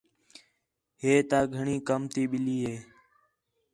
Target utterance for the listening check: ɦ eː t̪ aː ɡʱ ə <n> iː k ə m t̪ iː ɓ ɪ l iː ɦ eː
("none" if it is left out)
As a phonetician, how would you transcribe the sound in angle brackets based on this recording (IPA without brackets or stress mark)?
ɳ